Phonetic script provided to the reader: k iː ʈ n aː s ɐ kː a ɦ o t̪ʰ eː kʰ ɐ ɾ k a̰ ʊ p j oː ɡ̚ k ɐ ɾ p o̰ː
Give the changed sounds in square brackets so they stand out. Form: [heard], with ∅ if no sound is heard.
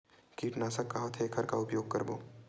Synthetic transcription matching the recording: k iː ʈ n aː s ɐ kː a ɦ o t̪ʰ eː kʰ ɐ ɾ k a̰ ʊ p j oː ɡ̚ k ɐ ɾ [b] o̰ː

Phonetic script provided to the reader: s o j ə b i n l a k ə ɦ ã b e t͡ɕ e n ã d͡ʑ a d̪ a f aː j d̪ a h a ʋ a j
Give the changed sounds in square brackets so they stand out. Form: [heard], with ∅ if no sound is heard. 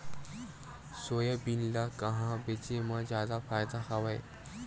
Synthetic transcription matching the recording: s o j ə b i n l a k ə ɦ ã b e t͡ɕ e [m] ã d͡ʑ a d̪ a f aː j d̪ a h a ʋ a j

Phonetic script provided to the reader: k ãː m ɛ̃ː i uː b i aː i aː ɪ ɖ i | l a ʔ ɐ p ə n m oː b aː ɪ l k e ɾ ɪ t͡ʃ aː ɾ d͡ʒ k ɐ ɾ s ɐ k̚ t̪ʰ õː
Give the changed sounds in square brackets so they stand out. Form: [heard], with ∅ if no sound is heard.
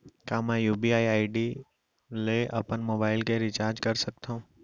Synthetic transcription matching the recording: k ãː m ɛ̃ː [j] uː b i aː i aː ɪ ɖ i | l [e] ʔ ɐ p ə n m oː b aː ɪ l k e ɾ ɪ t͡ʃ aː ɾ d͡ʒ k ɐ ɾ s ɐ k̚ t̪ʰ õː

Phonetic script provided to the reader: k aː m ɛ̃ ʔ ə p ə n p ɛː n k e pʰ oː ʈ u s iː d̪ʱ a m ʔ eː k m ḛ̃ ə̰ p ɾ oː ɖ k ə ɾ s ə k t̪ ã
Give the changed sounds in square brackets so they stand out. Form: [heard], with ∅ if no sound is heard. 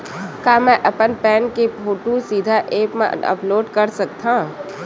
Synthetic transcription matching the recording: k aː m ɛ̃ ʔ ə p ə n p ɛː n k e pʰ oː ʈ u s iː d̪ʱ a [∅] ʔ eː [p] m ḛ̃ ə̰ p [l] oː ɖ k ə ɾ s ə k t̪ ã

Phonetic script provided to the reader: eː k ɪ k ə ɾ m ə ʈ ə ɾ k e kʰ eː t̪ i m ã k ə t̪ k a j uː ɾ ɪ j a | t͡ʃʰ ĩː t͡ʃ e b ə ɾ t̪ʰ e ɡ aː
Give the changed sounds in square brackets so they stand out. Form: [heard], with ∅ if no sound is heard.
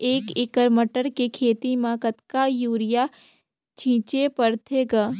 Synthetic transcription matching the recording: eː k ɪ k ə ɾ m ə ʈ ə ɾ k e kʰ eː t̪ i m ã k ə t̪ k a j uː ɾ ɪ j a | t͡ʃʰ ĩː t͡ʃ e [p] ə ɾ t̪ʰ e ɡ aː

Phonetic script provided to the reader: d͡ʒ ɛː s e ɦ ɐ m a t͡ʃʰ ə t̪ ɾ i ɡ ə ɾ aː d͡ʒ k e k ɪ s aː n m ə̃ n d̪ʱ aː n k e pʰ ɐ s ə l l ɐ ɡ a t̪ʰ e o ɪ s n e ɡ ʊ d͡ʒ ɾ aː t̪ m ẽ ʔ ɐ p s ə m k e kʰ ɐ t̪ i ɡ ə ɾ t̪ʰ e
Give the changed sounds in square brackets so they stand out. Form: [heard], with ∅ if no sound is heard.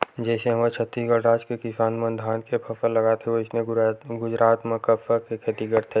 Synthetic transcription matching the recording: d͡ʒ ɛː s e ɦ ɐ m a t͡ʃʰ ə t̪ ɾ i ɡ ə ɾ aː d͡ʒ k e k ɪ s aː n m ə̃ n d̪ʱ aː n k e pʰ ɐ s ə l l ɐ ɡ a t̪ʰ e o ɪ s n e ɡ ʊ d͡ʒ ɾ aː t̪ m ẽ [k] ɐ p s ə [∅] k e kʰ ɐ t̪ i ɡ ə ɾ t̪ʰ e

